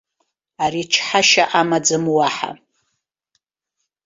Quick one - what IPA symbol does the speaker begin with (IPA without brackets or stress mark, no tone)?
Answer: a